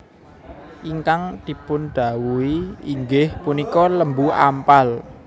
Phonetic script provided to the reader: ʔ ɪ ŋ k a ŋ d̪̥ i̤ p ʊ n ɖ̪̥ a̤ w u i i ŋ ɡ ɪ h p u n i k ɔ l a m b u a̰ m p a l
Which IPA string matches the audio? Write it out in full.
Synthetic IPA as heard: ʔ i ŋ k a ŋ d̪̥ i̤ p ʊ n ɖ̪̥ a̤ w u i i ŋ ɡ ɪ h p u n i k ɔ l ə m b u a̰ m p a l